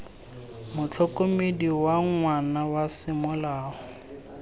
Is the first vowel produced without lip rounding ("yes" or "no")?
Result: no